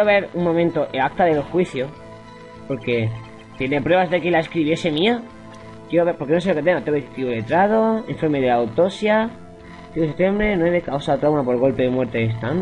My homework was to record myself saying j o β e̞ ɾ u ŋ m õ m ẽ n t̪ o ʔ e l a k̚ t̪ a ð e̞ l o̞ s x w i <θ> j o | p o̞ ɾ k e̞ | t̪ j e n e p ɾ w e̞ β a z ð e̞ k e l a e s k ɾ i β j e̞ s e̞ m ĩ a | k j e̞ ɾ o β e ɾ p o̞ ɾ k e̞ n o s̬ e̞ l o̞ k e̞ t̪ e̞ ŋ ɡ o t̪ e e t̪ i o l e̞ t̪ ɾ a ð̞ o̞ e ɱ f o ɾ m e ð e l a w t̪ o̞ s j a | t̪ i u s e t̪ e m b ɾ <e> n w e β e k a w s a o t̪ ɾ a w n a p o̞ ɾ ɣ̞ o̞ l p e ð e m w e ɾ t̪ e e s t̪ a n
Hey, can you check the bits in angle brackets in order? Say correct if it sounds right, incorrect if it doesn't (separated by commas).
correct, correct